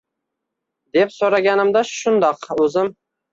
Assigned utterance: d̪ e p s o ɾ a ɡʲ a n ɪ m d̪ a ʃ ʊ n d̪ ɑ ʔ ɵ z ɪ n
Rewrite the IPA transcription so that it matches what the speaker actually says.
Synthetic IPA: d̪ e p s o ɾ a ɡʲ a n ɪ m d̪ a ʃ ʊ n d̪ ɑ q ɵ z ɪ m